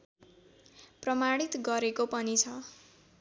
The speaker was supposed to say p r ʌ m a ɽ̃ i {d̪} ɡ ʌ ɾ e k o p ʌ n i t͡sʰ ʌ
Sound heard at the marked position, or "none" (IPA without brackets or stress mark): t̪